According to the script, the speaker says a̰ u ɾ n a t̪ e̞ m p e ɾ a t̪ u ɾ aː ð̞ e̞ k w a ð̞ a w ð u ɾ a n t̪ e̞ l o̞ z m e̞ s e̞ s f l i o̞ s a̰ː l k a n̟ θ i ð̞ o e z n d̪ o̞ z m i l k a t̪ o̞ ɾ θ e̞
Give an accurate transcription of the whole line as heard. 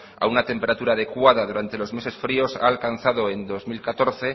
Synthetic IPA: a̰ u n a t̪ e̞ m p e ɾ a t̪ u ɾ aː ð̞ e̞ k w a ð̞ a ð u ɾ a n t̪ e̞ l o̞ z m e̞ s e̞ s f ɾ i o̞ s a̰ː l k a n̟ θ a ð̞ o e n d̪ o̞ z m i l k a t̪ o̞ ɾ θ e̞